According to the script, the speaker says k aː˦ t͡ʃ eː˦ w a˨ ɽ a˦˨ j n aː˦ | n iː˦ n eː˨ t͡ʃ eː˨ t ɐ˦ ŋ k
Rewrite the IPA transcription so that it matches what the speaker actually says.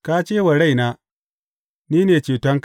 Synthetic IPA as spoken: k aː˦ t͡ʃ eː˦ w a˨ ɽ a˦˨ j n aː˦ | n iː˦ n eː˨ t͡ʃ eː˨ t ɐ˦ ŋ k